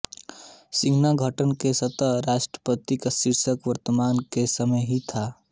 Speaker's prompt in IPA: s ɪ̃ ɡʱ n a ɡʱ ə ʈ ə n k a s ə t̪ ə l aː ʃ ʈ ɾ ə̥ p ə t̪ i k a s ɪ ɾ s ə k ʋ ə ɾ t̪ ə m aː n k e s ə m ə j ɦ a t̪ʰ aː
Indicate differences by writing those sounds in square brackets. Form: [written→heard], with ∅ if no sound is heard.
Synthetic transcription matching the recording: s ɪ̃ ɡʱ n a ɡʱ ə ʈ ə n k [a→e] s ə t̪ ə [l→ɾ] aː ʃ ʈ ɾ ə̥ p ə t̪ i k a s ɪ ɾ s ə k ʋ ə ɾ t̪ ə m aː n k e s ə m ə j ɦ [a→i] t̪ʰ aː